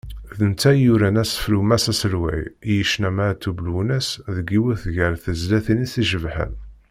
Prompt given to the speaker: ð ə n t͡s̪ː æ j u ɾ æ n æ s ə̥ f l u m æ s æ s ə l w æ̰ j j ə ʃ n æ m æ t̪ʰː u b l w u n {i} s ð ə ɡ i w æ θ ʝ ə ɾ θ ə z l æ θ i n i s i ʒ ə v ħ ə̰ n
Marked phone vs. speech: incorrect: æ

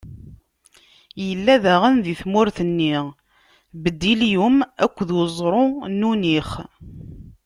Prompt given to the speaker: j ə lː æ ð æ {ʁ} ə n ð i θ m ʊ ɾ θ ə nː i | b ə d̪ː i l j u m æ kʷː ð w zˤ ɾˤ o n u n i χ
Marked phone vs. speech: correct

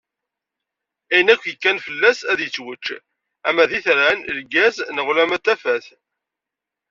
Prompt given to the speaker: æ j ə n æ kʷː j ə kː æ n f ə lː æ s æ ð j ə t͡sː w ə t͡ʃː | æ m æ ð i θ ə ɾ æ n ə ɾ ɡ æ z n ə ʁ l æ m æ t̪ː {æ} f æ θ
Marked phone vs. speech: correct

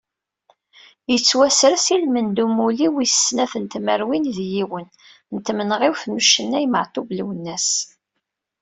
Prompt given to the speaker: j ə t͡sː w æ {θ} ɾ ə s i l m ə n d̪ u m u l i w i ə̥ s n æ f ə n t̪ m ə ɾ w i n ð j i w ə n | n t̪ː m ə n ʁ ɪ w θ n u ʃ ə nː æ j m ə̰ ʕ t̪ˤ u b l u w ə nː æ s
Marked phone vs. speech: incorrect: s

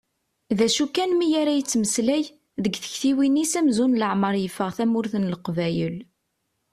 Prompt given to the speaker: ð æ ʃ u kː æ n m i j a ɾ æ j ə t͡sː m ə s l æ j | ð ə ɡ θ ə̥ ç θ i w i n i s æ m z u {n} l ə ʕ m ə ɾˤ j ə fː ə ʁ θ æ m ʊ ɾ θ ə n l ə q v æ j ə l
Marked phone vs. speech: correct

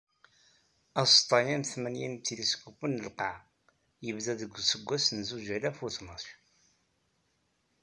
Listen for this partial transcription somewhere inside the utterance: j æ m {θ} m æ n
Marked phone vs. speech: correct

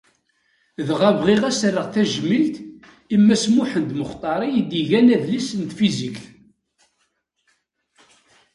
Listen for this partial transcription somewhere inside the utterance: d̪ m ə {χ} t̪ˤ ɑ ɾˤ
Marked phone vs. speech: correct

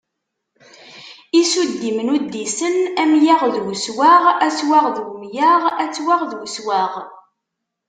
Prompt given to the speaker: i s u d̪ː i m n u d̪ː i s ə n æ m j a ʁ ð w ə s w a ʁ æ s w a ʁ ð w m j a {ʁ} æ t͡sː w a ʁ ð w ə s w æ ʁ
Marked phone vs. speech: correct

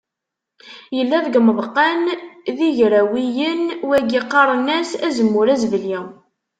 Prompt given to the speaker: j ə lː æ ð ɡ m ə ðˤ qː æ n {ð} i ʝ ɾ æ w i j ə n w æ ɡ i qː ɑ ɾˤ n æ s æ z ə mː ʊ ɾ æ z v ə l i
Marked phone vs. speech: correct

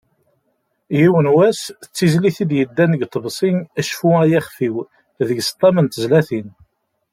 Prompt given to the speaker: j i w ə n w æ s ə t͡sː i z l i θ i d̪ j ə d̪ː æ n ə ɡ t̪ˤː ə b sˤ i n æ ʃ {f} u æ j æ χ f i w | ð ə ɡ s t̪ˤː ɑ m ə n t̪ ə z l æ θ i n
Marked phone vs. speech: correct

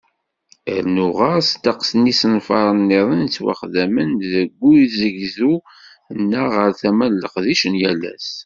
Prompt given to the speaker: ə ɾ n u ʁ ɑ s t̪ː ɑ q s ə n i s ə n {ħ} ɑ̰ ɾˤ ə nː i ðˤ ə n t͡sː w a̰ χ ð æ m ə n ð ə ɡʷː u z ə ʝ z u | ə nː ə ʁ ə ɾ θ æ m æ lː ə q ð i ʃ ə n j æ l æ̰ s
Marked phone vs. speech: incorrect: f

